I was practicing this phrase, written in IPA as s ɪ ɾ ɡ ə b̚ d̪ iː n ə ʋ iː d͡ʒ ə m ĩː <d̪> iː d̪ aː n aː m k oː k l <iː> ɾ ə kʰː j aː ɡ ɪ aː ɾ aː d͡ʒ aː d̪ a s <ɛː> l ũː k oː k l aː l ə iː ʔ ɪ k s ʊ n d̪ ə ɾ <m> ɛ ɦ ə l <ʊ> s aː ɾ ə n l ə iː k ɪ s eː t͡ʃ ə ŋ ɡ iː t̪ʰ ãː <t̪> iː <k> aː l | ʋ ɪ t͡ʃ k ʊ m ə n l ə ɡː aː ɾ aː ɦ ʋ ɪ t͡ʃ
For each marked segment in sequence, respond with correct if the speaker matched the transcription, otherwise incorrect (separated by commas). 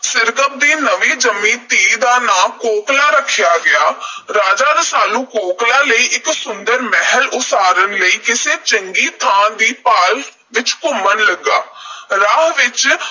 incorrect, incorrect, incorrect, correct, correct, incorrect, incorrect